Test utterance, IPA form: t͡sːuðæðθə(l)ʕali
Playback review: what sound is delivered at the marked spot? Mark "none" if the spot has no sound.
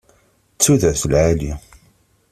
l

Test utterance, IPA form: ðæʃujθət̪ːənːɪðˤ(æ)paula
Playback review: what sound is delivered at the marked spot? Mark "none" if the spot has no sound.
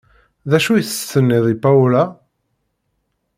i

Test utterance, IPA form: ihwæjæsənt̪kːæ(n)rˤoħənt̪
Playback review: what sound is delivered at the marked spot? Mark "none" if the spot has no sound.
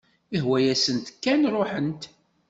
n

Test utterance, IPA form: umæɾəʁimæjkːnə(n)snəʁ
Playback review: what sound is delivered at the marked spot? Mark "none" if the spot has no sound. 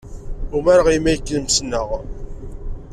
m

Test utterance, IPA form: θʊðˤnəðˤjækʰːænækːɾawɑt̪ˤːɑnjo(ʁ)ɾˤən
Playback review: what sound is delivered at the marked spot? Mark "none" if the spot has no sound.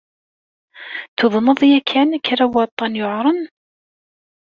ʕ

